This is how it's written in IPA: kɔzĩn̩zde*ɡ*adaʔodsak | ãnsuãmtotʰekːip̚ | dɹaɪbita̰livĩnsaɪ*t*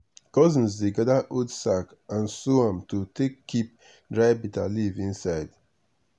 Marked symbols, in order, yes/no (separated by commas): yes, no